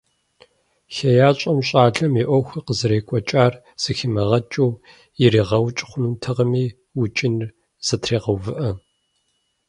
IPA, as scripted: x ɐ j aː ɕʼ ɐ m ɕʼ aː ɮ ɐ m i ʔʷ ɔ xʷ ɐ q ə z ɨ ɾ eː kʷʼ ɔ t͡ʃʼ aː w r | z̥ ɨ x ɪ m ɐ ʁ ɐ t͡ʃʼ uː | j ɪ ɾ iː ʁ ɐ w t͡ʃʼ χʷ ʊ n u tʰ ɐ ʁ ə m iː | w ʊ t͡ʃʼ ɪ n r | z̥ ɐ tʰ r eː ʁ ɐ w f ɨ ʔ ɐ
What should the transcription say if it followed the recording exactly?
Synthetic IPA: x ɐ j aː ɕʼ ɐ m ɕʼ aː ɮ ɐ m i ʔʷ ɔ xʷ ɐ q ə z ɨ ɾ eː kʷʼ ɔ t͡ʃʼ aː r | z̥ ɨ x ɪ m ɐ ʁ ɐ t͡ʃʼ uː | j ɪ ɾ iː ʁ ɐ w t͡ʃʼ χʷ ʊ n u tʰ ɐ ʁ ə m iː | w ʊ t͡ʃʼ ɪ n r | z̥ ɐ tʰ r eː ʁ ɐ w v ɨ ʔ ɐ

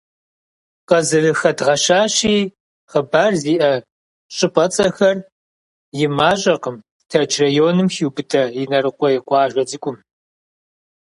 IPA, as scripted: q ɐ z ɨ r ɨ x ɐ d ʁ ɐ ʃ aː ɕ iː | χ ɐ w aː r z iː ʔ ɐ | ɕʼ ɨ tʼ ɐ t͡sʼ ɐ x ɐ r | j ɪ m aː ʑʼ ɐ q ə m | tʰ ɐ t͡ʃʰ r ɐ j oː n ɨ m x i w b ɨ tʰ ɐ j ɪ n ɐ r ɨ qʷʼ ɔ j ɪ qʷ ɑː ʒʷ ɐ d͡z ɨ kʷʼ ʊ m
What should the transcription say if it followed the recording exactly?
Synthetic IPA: q ɐ z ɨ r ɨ x ɐ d ʁ ɐ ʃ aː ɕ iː | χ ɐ b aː r z iː ʔ ɐ | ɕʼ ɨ pʼ ɐ t͡sʼ ɐ x ɐ r | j ɪ m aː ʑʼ ɐ q ə m | tʰ ɐ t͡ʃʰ r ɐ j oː n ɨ m x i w b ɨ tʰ ɐ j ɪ n ɐ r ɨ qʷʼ ɔ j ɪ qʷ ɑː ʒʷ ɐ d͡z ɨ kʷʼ ʊ m

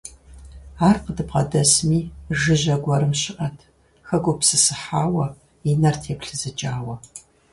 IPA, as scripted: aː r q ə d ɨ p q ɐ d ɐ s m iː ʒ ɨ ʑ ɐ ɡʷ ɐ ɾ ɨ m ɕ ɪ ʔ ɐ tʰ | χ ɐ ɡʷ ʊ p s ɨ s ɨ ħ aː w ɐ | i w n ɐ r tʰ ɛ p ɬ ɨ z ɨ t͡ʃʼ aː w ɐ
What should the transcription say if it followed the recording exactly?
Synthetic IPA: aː r q ə d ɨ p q ɐ d ɐ s m iː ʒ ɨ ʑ ɐ ɡʷ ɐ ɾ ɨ m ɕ ɪ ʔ ɐ tʰ | x ɐ ɡʷ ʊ p s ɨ s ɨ ħ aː w ɐ | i n ɐ r tʰ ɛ p ɬ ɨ z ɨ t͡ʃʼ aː w ɐ

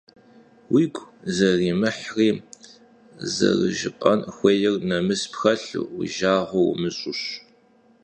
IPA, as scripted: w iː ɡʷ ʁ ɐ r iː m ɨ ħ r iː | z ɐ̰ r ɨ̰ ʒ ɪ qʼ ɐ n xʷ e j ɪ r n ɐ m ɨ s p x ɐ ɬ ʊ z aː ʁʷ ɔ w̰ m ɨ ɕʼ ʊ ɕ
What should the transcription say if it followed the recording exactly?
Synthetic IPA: w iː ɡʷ z ɐ r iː m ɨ ħ r iː | z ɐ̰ r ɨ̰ ʒ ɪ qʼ ɐ n xʷ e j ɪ r n ɐ m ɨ s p x ɐ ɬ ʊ ʒ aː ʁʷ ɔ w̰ m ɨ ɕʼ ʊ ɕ

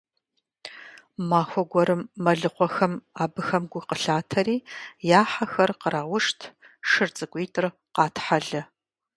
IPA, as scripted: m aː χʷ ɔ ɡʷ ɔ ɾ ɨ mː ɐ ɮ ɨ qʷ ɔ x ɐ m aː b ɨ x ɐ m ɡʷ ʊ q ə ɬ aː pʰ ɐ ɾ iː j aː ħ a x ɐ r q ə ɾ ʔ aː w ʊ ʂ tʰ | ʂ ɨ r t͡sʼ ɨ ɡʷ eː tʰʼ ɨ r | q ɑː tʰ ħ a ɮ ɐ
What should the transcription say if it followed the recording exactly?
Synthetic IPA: m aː xʷ ɔ ɡʷ ɔ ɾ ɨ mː ɐ ɮ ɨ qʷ ɔ x ɐ m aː b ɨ x ɐ m ɡʷ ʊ q ə ɬ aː tʰ ɐ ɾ iː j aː ħ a x ɐ r q ə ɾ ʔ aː w ʊ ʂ tʰ | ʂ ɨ r t͡sʼ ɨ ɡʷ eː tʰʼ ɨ r | q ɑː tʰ ħ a ɮ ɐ

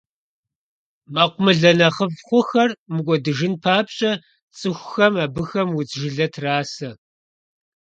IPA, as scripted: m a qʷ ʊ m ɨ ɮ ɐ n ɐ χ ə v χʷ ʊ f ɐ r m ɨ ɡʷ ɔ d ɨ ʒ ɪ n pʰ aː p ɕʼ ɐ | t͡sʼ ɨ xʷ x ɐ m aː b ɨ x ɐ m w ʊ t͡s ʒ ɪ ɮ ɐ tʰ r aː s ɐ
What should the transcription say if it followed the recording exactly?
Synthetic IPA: m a qʷ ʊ m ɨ ɮ ɐ n ɐ χ ə v χʷ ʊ x ɐ r m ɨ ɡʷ ɔ d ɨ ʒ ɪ n pʰ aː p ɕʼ ɐ | t͡sʼ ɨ xʷ x ɐ m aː b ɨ x ɐ m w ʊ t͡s ʒ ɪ ɮ ɐ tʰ r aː s ɐ

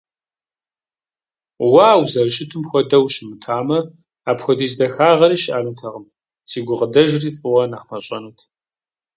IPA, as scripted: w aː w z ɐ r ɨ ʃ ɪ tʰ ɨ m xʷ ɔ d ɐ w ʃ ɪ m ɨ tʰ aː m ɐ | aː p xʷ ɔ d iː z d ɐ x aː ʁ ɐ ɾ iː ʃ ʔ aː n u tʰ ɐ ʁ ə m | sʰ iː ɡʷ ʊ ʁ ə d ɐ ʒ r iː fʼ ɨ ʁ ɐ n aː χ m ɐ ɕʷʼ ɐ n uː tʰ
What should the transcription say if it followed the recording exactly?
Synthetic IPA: w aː w z ɐ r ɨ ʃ ɪ tʰ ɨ m xʷ ɔ d ɐ w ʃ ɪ m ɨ tʰ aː m ɐ | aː p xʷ ɔ d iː z d ɐ x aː ʁ ɐ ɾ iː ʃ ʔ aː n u tʰ ɐ ʁ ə m | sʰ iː ɡʷ ʊ ʁ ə d ɐ ʒ r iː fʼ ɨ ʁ ɐ n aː χ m ɐ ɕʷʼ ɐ n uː tʰ

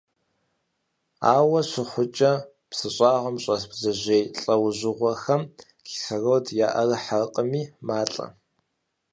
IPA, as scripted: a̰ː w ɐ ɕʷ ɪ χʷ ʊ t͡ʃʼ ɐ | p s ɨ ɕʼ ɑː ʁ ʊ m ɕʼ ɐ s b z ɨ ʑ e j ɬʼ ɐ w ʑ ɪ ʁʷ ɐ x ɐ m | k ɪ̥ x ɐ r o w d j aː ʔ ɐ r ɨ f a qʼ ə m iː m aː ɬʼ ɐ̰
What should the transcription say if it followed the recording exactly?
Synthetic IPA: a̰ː w ɐ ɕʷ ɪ χʷ ʊ t͡ʃʼ ɐ | p s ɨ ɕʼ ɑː ʁ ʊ m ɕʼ ɐ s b z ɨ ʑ e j ɬʼ ɐ w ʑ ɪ ʁʷ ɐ x ɐ m | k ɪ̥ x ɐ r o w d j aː ʔ ɐ r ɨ ħ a qʼ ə m iː m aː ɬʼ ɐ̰

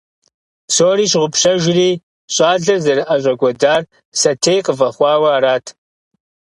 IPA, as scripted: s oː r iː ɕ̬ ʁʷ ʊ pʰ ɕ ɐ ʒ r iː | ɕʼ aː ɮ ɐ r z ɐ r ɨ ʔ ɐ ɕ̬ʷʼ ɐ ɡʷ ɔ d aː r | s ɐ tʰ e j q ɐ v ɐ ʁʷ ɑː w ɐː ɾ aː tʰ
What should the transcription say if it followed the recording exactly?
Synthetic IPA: s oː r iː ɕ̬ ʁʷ ʊ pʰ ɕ ɐ ʒ r iː | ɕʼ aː ɮ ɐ r z ɐ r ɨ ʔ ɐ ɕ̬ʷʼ ɐ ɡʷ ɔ d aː r | s ɐ tʰ e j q ə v ɐ χʷ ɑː w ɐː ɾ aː tʰ

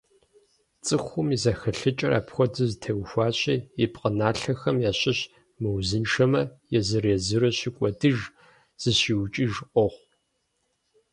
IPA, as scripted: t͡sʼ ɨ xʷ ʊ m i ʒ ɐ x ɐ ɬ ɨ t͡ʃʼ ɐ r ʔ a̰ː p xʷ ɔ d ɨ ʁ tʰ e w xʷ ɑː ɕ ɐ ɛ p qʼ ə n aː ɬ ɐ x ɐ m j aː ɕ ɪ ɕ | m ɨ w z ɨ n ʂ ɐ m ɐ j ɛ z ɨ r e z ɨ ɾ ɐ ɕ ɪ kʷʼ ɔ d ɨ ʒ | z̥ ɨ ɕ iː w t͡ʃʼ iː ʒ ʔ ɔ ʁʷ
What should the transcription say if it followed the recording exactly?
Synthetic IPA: t͡sʼ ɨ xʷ ʊ m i z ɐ x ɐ ɬ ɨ t͡ʃʼ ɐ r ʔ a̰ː p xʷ ɔ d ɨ z tʰ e w xʷ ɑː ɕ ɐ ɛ p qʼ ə n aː ɬ ɐ x ɐ m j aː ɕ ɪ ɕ | m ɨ w z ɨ n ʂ ɐ m ɐ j ɛ z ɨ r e z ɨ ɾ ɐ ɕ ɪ kʷʼ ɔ d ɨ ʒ | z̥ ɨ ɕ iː w t͡ʃʼ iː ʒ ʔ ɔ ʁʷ

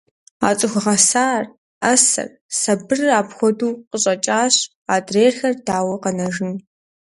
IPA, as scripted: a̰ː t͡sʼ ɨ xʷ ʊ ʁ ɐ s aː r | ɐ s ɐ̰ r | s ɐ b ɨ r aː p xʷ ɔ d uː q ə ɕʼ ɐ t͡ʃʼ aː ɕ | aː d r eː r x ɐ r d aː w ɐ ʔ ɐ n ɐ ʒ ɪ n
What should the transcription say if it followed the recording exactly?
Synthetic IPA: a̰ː t͡sʼ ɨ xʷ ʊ ʁ ɐ s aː r | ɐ s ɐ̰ r | s ɐ b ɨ r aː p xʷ ɔ d uː q ə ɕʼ ɐ t͡ʃʼ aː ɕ | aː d r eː r x ɐ r d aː w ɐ q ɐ n ɐ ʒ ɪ n

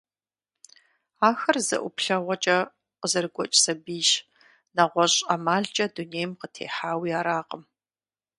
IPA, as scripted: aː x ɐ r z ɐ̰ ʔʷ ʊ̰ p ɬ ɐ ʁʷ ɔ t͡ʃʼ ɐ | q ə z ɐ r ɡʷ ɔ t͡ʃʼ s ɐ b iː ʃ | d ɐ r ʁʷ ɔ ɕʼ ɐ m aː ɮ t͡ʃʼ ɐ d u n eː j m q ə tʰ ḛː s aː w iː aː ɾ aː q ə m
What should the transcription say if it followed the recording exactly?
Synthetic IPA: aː x ɐ r z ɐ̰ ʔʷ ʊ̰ p ɬ ɐ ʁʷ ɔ t͡ʃʼ ɐ | q ə z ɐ r ɡʷ ɔ t͡ʃʼ s ɐ b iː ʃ | n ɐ ʁʷ ɔ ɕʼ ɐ m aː ɮ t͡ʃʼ ɐ d u n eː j m q ə tʰ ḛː ħ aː w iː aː ɾ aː q ə m

